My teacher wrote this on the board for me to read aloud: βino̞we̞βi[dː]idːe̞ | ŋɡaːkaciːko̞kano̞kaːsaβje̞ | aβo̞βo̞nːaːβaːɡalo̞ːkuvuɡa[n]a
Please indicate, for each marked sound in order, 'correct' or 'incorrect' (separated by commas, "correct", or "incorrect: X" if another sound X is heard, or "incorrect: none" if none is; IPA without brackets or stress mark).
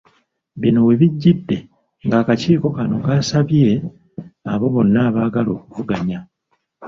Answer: incorrect: ɟː, incorrect: ɲ